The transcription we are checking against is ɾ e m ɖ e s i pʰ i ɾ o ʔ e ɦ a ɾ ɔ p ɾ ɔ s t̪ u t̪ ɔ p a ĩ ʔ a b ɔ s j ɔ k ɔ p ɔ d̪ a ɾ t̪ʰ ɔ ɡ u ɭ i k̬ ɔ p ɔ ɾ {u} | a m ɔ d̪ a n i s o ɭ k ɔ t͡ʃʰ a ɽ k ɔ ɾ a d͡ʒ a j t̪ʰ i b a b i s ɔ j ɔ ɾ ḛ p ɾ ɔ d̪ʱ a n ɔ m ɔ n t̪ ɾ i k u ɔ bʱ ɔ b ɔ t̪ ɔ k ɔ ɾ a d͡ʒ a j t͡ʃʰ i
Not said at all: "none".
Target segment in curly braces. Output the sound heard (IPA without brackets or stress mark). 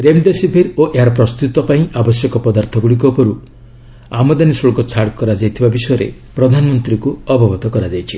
u